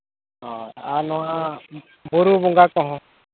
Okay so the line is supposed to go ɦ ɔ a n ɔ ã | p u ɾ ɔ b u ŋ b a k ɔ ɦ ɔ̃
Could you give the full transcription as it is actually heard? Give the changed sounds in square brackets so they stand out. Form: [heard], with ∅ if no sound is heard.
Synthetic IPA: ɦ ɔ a n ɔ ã | [b] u ɾ [u] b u ŋ [ɡ] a k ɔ ɦ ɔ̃